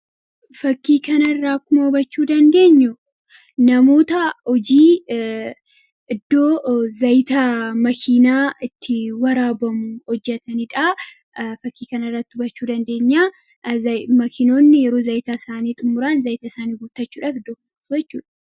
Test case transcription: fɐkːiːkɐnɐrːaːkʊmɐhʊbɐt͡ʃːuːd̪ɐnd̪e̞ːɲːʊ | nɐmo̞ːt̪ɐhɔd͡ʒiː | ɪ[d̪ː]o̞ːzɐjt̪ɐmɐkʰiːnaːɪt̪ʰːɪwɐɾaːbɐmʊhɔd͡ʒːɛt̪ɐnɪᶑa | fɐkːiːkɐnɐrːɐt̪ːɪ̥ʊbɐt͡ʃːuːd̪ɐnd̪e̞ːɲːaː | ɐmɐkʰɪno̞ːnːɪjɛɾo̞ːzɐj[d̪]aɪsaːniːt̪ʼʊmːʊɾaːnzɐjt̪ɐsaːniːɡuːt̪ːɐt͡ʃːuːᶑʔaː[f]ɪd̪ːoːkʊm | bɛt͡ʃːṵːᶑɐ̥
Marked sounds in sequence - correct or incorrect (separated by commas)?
correct, incorrect, correct